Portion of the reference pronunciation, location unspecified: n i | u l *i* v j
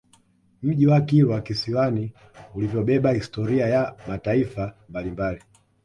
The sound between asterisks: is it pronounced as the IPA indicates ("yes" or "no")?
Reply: yes